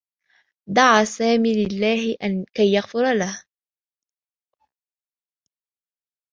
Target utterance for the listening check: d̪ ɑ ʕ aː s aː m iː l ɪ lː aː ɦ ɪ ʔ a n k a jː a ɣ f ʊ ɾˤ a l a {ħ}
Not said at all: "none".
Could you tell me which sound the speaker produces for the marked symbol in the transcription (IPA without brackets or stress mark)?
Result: h